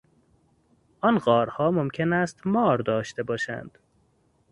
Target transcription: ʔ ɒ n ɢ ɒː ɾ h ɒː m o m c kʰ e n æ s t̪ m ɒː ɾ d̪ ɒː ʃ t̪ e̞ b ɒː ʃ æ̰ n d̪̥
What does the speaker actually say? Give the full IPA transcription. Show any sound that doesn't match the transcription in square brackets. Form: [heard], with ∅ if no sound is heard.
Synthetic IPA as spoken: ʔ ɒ n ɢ ɒː ɾ h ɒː m o m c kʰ e n æ s t̪ m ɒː ɾ d̪ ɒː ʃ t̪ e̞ b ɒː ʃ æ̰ n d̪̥